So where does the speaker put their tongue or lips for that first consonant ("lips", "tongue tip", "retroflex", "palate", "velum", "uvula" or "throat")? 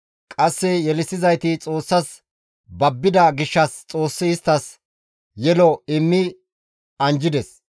velum